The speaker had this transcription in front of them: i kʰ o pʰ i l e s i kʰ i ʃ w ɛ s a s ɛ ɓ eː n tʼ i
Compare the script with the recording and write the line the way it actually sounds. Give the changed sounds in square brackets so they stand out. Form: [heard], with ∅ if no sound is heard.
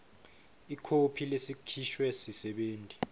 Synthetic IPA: i kʰ o pʰ i l e s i kʰ i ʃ w ɛ s [i] s ɛ ɓ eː n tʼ i